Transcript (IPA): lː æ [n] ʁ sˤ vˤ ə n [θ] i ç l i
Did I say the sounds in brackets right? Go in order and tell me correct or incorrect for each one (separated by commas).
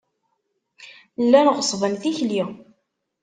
correct, correct